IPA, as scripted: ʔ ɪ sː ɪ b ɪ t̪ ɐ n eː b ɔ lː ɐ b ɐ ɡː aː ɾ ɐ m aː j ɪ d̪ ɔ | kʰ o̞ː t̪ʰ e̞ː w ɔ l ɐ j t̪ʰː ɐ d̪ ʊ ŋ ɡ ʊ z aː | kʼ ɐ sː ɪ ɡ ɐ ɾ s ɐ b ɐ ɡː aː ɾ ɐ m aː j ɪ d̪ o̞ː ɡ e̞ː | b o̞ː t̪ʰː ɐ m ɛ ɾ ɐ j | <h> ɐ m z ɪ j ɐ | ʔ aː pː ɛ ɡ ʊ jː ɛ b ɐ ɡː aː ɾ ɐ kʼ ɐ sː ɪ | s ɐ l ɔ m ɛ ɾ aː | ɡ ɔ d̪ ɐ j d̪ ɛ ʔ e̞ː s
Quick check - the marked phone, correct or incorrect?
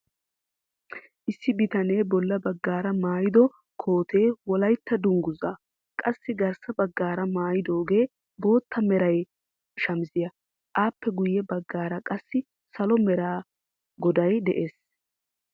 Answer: incorrect